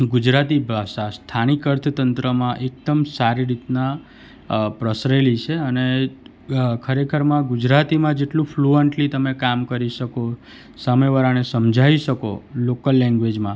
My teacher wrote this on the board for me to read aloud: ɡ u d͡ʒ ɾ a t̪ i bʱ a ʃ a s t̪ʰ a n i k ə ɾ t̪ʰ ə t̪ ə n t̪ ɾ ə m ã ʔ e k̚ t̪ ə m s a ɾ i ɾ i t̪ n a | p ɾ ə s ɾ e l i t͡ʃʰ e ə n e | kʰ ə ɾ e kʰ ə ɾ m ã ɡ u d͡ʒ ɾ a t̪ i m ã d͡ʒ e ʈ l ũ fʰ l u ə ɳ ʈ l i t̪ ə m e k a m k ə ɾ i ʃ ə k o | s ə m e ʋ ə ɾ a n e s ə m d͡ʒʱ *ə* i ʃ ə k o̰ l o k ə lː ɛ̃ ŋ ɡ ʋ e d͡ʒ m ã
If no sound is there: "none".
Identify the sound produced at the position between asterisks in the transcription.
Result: a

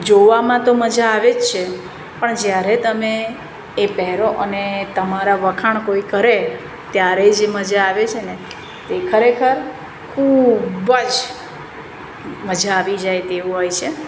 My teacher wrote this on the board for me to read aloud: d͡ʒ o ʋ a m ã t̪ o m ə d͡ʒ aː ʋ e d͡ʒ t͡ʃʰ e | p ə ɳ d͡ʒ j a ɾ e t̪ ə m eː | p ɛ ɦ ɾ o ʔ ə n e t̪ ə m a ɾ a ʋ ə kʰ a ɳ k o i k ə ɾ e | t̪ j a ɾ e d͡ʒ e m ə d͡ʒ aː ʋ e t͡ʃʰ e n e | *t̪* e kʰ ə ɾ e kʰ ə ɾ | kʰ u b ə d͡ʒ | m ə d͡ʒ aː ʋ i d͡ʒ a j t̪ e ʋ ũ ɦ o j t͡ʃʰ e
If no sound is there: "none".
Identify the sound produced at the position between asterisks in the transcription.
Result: t̪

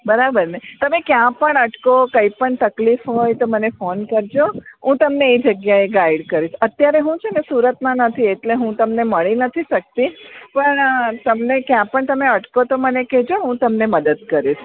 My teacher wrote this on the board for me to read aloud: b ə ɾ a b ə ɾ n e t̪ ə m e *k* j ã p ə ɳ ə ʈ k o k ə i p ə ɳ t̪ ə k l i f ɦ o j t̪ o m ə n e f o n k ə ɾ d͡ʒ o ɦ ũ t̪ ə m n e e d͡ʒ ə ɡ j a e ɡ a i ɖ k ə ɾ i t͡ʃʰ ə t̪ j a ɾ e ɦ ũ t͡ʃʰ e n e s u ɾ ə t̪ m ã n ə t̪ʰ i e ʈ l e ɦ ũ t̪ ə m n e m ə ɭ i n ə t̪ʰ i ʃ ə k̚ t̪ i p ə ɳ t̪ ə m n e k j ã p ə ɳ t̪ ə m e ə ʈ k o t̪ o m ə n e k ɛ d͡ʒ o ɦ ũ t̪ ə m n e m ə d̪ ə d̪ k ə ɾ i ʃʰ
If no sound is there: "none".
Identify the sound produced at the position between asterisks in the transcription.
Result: k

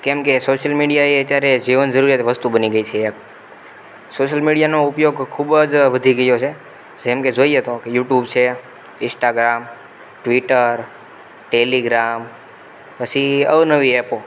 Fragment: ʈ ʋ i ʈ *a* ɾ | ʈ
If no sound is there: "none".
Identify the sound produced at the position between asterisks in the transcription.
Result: ə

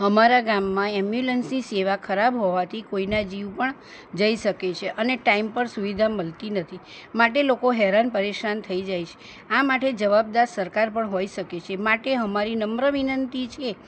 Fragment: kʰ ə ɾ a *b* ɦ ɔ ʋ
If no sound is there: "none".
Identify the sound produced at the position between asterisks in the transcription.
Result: b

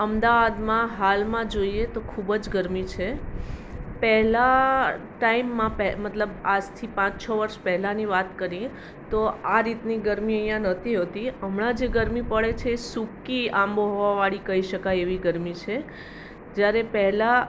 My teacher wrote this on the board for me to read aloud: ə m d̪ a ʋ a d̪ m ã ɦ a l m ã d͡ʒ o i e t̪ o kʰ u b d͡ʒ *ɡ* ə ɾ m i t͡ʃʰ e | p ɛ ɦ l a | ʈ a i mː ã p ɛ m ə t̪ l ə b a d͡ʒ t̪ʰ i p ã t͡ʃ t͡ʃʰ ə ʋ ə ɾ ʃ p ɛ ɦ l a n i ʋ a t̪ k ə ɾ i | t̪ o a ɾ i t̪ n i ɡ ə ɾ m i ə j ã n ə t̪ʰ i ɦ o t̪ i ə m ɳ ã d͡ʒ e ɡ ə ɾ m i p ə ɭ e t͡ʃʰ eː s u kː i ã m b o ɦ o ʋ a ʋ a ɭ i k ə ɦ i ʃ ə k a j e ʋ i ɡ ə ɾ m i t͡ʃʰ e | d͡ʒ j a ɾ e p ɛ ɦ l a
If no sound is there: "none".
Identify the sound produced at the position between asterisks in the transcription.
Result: ɡ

